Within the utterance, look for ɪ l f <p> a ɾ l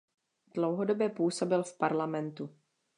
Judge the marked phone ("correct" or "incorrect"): correct